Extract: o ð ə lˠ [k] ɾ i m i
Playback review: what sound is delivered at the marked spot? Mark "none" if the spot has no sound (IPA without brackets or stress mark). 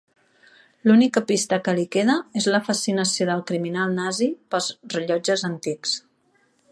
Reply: k